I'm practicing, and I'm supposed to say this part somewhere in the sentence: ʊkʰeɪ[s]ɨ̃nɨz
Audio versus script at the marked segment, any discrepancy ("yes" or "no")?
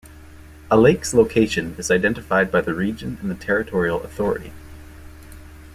yes